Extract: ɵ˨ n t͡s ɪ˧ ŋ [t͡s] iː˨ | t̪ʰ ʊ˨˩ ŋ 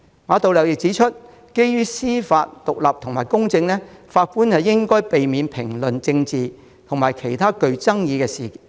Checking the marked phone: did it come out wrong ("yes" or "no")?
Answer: no